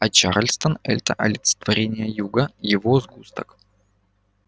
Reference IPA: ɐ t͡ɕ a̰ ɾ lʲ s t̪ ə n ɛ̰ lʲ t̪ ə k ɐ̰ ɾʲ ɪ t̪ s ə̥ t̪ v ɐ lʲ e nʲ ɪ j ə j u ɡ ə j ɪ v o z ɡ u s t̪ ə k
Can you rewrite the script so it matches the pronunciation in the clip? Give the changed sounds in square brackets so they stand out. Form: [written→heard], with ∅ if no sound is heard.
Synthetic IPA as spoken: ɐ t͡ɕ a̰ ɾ lʲ s t̪ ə n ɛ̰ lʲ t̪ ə [k→ʔ] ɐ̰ [ɾʲ→lʲ] ɪ t̪ s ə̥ t̪ v ɐ [lʲ→ɾʲ] e nʲ ɪ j ə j u ɡ ə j ɪ v o z ɡ u s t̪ ə k